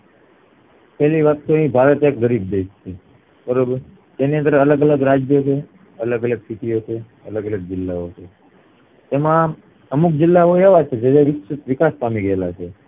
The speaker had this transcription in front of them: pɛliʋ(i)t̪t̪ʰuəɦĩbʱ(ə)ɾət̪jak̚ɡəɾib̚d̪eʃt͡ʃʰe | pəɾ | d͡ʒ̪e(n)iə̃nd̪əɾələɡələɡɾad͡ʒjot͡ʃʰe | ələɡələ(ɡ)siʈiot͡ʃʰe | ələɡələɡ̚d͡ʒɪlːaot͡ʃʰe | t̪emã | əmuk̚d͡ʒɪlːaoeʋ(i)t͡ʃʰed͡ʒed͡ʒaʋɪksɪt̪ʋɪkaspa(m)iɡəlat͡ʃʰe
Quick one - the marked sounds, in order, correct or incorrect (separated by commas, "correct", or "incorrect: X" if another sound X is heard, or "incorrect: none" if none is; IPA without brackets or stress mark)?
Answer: incorrect: a, incorrect: a, correct, correct, incorrect: a, correct